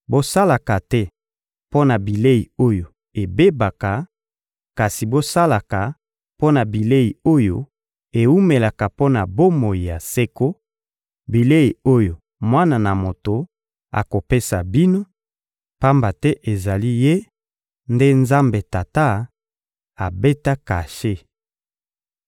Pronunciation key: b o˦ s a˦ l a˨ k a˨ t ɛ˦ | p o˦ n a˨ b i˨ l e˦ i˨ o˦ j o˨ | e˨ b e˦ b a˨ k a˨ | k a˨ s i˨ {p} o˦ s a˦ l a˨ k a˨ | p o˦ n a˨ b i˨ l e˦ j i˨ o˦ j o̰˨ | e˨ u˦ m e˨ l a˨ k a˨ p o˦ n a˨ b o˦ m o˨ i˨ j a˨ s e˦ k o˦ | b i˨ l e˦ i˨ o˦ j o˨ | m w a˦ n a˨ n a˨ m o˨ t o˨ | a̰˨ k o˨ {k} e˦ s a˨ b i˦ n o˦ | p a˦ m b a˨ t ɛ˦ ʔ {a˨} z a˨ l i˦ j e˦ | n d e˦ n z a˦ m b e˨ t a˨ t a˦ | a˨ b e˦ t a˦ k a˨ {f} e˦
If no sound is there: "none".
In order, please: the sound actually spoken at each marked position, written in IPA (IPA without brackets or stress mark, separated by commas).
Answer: b, p, e˨, ʃ